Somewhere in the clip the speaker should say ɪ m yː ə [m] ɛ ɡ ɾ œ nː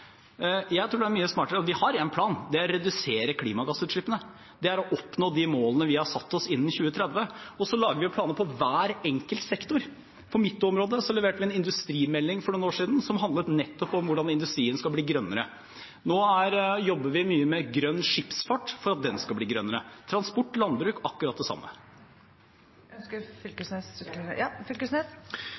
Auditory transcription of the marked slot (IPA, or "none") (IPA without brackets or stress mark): m